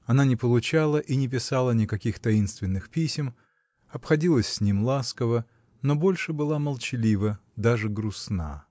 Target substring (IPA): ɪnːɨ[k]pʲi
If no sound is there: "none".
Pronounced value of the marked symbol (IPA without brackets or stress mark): x